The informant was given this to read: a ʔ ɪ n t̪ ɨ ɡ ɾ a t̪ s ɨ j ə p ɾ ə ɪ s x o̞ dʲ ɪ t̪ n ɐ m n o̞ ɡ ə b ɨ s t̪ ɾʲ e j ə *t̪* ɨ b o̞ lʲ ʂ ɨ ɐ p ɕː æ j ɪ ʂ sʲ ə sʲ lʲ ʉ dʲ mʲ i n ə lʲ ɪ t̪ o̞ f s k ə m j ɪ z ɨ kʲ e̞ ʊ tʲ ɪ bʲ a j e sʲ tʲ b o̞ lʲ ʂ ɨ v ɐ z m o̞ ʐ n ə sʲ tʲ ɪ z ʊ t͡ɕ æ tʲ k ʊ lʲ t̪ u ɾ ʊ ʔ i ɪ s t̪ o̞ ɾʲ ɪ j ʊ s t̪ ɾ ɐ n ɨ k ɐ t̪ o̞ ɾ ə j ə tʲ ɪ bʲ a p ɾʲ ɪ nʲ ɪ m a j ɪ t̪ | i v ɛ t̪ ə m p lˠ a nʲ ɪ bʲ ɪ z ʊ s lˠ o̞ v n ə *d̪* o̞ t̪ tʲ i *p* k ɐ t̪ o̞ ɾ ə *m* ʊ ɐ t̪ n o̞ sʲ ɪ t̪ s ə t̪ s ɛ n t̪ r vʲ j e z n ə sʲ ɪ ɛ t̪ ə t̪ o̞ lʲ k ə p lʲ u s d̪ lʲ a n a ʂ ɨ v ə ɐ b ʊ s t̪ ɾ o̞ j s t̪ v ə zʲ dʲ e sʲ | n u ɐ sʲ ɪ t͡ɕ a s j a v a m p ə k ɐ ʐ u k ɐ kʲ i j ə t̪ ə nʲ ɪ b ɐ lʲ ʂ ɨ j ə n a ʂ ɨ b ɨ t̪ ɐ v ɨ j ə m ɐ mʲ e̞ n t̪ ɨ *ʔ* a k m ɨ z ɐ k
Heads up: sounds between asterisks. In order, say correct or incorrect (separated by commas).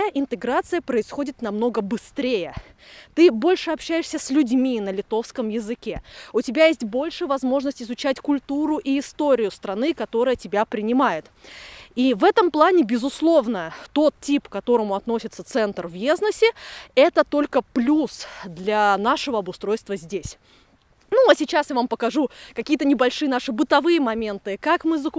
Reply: correct, incorrect, correct, correct, incorrect